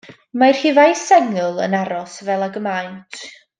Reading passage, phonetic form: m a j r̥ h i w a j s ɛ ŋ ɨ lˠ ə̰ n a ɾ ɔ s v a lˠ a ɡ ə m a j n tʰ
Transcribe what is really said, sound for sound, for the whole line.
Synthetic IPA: m a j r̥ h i v a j s ɛ ŋ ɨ lˠ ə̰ n a ɾ ɔ s v ɛ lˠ a ɡ ə m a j n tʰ